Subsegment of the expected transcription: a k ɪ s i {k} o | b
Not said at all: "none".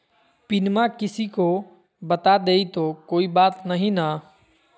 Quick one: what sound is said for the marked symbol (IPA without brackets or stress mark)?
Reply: k